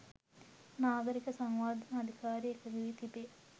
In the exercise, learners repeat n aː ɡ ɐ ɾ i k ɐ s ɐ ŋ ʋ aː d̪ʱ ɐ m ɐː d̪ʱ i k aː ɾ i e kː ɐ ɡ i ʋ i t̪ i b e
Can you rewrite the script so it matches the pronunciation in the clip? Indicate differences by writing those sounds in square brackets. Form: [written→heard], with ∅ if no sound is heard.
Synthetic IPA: n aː ɡ ɐ ɾ i k ɐ s ɐ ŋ ʋ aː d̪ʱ ɐ [m→n] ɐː d̪ʱ i k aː ɾ i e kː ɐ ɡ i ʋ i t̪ i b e